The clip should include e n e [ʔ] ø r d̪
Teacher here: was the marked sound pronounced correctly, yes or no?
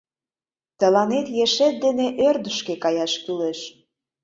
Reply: yes